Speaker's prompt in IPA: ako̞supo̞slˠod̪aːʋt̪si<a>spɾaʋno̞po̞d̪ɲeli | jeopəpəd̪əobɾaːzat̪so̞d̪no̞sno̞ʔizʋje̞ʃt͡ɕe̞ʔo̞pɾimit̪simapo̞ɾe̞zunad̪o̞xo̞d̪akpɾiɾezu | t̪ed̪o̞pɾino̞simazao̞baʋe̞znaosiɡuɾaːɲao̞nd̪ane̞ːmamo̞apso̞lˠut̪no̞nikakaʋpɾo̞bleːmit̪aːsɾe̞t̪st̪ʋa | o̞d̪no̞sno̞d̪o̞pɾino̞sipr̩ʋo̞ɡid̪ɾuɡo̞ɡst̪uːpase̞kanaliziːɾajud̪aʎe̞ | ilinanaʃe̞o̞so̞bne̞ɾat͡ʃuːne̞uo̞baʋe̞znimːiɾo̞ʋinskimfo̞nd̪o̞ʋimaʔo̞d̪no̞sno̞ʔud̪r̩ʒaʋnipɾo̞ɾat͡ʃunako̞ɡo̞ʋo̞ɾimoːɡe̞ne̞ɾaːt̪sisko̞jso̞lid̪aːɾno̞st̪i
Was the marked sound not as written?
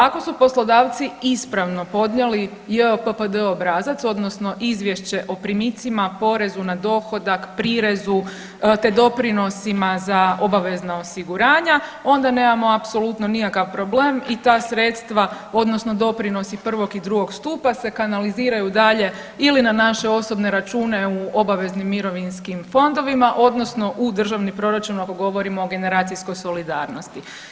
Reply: yes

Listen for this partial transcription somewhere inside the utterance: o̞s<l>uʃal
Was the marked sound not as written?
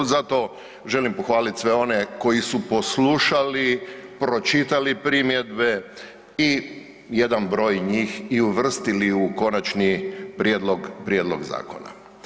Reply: no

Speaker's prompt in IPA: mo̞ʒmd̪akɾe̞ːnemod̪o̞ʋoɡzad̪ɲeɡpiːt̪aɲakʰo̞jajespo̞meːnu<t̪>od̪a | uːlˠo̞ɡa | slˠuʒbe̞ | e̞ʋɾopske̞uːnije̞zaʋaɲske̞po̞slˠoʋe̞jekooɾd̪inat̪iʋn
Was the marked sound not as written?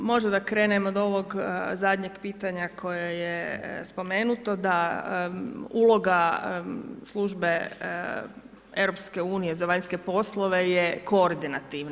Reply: no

